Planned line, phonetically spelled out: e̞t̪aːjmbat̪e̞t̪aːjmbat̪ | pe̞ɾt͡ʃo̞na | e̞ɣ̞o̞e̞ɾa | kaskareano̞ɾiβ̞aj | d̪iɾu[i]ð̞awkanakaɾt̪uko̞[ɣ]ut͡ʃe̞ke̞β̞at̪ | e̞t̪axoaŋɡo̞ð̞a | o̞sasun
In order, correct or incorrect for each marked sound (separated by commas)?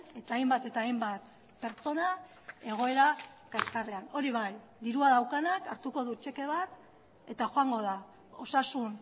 incorrect, incorrect